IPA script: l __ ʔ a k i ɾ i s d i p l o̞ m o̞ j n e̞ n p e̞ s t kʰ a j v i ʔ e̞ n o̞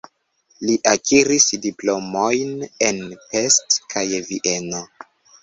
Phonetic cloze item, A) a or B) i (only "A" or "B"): B